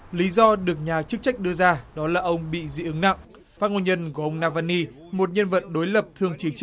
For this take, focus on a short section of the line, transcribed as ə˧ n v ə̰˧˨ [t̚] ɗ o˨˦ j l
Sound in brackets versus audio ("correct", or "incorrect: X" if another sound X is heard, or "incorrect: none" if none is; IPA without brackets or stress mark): correct